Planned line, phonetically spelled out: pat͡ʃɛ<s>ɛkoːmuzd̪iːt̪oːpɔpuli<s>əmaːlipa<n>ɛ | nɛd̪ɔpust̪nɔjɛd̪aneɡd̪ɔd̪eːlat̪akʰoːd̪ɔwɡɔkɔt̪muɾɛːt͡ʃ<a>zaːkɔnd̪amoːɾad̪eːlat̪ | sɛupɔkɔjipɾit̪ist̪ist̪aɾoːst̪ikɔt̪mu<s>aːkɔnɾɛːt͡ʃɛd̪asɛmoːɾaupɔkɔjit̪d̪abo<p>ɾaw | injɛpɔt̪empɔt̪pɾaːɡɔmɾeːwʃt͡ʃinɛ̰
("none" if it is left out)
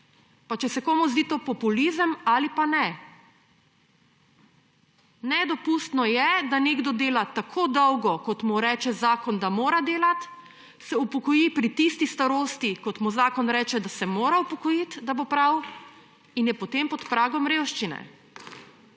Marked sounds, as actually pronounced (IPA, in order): s, z, n, ɛ, z, p

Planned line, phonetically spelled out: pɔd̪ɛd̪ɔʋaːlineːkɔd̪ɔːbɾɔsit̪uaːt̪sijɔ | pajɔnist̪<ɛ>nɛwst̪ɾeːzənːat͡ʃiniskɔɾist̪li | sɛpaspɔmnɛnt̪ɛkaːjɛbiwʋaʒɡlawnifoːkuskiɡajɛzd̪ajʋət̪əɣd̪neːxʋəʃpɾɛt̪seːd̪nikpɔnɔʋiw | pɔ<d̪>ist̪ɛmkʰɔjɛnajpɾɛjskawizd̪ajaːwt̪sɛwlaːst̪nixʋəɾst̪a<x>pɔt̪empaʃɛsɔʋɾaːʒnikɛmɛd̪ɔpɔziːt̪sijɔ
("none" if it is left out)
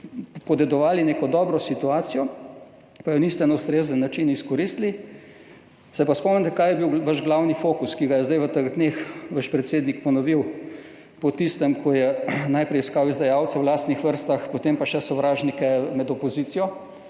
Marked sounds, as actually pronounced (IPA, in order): ɛ, t̪, x

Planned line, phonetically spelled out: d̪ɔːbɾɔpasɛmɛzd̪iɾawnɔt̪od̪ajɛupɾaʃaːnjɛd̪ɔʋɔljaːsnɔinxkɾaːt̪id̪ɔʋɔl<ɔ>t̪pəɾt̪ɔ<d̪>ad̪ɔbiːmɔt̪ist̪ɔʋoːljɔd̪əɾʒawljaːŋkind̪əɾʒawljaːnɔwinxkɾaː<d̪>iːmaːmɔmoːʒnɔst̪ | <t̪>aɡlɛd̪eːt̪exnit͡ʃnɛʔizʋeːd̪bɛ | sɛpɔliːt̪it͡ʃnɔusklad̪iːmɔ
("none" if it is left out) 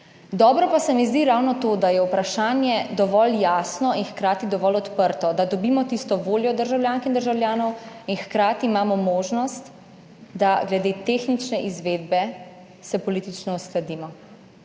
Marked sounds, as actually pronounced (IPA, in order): ɔ, d̪, t̪, d̪

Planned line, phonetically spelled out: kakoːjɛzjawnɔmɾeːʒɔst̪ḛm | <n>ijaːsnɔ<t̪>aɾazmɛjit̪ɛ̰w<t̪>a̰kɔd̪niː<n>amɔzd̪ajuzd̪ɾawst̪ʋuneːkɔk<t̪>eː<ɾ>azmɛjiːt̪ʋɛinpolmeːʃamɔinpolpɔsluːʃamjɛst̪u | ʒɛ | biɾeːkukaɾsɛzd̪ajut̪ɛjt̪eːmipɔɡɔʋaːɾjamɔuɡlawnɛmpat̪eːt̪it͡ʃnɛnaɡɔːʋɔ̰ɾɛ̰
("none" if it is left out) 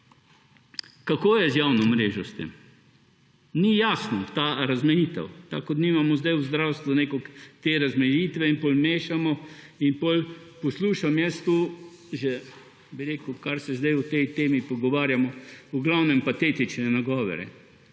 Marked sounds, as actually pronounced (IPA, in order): n, t̪, t̪, m, t̪, ɾ

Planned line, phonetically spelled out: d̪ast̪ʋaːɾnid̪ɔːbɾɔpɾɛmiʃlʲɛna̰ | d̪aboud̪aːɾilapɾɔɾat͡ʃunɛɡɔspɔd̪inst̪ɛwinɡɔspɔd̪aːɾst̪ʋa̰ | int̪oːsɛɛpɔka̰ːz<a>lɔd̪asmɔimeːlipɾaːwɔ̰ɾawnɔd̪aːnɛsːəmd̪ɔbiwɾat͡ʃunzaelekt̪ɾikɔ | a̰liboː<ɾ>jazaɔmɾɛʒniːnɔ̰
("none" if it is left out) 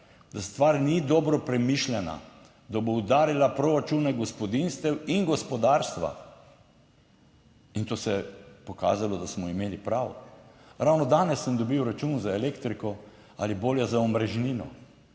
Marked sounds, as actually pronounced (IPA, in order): a, l

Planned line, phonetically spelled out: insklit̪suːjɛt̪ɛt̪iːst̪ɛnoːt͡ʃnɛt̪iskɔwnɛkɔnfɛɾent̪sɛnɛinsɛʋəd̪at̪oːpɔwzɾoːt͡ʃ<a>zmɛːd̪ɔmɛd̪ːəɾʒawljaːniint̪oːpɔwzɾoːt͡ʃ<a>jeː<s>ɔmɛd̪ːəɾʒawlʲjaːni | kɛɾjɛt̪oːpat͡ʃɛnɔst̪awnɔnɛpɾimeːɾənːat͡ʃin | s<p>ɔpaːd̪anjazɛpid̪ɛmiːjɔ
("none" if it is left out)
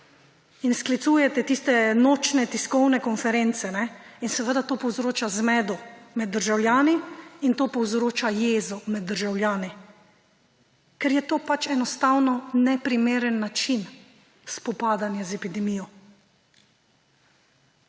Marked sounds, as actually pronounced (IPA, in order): a, a, z, p

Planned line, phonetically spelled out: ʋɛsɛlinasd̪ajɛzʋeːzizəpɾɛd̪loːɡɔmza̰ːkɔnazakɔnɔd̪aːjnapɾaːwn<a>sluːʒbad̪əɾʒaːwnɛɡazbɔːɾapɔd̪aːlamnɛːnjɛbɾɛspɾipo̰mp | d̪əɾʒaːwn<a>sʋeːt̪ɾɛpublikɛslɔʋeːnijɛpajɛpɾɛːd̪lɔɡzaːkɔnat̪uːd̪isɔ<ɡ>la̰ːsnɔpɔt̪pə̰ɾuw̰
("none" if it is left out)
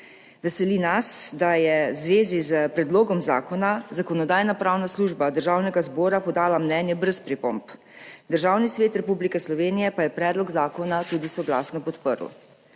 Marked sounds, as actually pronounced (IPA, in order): a, i, ɡ

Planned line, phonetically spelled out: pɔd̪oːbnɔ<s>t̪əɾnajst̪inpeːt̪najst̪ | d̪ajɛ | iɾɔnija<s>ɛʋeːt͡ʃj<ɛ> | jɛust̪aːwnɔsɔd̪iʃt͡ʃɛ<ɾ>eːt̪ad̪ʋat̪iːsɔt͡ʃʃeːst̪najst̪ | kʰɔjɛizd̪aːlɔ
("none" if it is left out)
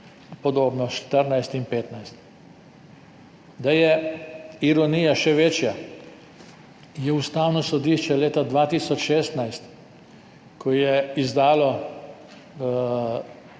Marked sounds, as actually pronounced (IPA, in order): ʃ, ʃ, a, l

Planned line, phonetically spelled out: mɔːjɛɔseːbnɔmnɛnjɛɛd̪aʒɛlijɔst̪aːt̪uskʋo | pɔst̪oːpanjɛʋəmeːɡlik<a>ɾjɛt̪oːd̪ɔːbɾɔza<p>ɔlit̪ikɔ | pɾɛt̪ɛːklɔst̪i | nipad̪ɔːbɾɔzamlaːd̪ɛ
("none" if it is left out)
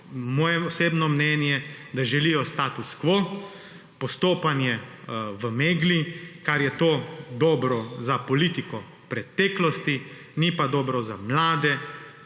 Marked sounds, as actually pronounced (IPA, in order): a, p

